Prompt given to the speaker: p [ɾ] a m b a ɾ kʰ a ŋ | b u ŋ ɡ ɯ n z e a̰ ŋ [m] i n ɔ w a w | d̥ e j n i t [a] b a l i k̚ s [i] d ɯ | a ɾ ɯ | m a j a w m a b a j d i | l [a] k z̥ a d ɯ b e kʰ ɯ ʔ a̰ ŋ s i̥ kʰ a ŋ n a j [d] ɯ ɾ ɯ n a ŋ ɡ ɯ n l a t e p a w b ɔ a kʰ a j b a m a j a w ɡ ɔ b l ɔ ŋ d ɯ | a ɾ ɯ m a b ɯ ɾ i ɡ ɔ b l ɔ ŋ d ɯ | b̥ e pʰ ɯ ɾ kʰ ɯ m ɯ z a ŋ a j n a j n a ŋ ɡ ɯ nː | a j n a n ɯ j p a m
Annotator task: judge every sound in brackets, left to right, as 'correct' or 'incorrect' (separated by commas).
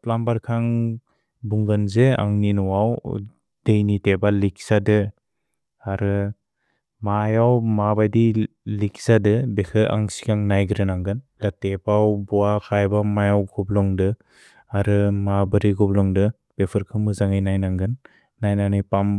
incorrect, incorrect, incorrect, incorrect, incorrect, incorrect